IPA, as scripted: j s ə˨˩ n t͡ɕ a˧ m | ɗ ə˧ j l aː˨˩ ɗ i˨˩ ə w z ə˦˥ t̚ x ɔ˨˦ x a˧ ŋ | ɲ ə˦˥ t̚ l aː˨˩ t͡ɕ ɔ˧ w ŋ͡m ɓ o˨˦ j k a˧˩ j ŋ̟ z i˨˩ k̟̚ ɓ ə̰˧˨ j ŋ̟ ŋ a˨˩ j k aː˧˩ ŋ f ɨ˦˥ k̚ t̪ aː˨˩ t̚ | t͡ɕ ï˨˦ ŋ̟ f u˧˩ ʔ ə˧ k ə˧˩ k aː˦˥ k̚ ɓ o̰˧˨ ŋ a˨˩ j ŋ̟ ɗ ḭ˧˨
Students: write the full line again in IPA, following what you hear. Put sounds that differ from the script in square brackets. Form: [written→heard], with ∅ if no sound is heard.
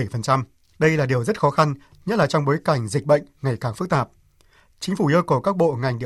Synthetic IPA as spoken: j [s→f] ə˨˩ n t͡ɕ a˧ m | ɗ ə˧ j l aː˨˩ ɗ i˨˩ ə w z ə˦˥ t̚ x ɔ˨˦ x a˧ [ŋ→n] | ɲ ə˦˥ t̚ l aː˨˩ t͡ɕ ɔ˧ w ŋ͡m ɓ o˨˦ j k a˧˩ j ŋ̟ z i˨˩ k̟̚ ɓ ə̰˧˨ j ŋ̟ ŋ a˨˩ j k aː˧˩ ŋ f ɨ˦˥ k̚ t̪ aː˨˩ [t̚→p̚] | t͡ɕ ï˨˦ ŋ̟ f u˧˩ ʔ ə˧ k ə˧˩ k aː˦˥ k̚ ɓ o̰˧˨ ŋ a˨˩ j ŋ̟ ɗ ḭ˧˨